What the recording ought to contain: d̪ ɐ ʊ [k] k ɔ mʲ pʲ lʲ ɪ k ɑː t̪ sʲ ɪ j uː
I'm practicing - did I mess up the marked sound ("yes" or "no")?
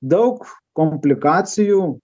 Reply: no